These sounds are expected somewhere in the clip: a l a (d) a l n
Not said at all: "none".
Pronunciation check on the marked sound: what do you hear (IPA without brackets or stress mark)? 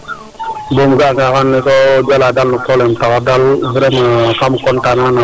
d